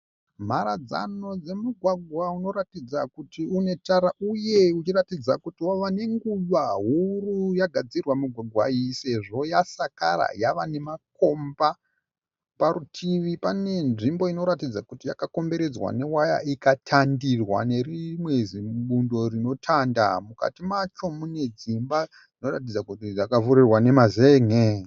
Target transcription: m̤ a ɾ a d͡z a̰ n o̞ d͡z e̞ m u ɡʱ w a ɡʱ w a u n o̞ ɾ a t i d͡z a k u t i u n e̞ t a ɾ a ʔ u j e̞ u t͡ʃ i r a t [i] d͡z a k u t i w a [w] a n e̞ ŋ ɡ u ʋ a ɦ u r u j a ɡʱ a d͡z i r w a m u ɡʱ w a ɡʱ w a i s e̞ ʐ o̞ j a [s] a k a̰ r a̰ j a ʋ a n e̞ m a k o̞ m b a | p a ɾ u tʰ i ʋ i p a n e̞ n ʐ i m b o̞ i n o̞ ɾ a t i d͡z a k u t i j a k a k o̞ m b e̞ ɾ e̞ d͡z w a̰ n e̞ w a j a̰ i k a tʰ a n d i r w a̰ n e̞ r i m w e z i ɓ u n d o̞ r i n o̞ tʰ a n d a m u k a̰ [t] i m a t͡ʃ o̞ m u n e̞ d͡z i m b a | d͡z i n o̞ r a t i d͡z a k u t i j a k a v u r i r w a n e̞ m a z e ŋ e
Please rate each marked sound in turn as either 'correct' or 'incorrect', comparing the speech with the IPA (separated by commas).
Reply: correct, incorrect, correct, correct